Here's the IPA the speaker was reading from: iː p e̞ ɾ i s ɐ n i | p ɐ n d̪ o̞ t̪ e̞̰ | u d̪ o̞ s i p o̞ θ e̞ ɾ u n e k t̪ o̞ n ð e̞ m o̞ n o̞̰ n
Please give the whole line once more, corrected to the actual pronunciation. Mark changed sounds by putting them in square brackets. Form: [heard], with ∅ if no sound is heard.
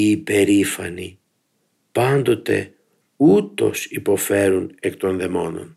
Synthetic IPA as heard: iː p e̞ ɾ i [f] ɐ n i | p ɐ n d̪ o̞ t̪ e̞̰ | u [t̪] o̞ s i p o̞ [f] e̞ ɾ u n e k t̪ o̞ n ð e̞ m o̞ n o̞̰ n